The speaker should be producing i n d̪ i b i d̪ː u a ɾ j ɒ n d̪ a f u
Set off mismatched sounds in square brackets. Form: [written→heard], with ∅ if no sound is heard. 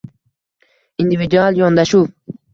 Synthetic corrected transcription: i n d̪ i [b→v] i [d̪ː→d̪] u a [ɾ→l] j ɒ n d̪ a [f→ʃ] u